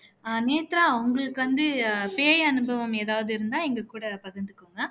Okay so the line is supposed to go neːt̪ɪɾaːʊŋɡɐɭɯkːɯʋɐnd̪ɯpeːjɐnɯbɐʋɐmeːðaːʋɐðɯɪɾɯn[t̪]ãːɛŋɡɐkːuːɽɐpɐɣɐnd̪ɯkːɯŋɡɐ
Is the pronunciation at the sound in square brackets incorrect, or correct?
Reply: incorrect